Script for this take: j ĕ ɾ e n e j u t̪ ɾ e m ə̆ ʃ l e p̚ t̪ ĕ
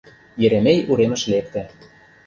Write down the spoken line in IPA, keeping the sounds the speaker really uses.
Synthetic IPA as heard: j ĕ ɾ e m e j u ɾ e m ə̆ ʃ l e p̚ t̪ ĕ